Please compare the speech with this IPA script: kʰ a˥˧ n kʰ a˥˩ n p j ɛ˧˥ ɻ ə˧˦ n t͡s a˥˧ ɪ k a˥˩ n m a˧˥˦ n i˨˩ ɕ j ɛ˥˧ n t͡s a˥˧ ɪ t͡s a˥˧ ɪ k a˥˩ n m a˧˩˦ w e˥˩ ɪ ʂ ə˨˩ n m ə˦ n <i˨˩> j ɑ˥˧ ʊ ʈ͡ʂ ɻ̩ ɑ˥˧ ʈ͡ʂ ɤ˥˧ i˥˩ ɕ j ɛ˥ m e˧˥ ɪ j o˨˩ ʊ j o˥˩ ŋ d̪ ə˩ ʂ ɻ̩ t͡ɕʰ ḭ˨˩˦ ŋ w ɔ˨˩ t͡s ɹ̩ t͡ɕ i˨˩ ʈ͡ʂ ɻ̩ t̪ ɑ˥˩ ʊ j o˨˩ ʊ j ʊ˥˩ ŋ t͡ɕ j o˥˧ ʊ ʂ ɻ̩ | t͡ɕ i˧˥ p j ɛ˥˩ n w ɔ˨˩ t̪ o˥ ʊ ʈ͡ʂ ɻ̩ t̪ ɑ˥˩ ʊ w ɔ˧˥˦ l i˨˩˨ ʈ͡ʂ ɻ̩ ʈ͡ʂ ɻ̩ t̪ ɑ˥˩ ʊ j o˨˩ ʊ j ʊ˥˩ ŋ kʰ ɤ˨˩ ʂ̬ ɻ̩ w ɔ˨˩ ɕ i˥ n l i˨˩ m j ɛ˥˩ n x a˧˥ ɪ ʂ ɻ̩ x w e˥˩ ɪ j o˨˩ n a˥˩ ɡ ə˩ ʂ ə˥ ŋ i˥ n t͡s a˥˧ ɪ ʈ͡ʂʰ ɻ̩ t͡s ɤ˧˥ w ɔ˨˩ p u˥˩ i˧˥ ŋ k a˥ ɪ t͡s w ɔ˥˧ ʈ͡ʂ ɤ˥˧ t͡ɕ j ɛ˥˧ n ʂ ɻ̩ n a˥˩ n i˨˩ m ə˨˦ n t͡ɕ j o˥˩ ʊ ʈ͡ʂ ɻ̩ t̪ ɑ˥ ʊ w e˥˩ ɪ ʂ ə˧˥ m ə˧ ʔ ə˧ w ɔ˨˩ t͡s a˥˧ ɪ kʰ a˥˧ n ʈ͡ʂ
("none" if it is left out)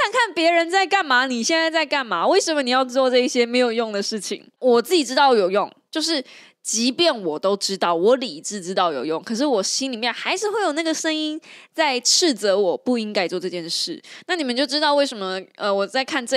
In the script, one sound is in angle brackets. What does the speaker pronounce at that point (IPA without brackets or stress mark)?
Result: i˨˩